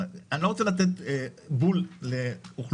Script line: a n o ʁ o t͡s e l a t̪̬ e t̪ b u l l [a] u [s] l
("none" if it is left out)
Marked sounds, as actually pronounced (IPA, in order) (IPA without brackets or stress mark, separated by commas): e, χ